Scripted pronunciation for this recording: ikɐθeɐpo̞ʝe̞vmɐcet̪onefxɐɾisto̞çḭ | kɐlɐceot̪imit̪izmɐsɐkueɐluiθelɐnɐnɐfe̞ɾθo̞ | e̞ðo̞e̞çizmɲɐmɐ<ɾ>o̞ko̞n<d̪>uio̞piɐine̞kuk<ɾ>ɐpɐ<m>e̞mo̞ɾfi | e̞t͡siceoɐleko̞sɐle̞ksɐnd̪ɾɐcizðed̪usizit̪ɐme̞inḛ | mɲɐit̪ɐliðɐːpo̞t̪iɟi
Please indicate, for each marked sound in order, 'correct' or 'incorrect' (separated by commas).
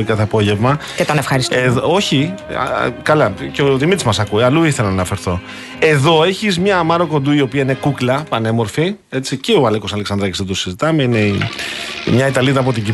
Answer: correct, correct, incorrect, incorrect